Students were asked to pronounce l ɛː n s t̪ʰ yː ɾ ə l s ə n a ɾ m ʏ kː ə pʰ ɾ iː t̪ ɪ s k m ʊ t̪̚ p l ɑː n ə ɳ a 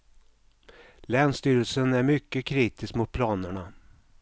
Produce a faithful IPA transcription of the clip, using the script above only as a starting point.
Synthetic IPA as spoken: l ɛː n s t̪ yː ɾ ə l s ə n æ ɾ m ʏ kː ə kʰ ɾ iː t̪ ɪ s k m ʊ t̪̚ pʰ l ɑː n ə ɳ a